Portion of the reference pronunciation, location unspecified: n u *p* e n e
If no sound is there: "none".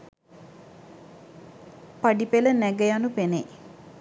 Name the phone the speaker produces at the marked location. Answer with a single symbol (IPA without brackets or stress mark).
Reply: p